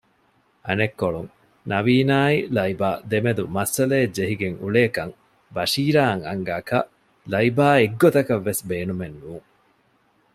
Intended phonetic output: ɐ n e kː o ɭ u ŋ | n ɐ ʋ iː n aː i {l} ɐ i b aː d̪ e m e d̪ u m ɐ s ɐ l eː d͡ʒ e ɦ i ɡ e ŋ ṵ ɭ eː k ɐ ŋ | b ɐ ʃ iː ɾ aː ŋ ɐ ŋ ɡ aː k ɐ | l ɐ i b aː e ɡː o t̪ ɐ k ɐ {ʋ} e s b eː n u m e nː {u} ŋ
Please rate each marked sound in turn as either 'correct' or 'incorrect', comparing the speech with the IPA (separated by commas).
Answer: correct, incorrect, incorrect